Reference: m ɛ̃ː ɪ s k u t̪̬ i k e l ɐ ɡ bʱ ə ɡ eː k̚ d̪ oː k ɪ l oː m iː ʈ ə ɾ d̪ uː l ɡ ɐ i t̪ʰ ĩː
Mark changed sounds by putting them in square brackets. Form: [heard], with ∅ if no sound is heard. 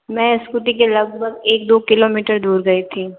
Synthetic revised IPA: m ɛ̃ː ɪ s k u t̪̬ i k e l ɐ ɡ bʱ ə ɡ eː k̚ d̪ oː k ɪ l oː m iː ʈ ə ɾ d̪ uː [ɾ] ɡ ɐ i t̪ʰ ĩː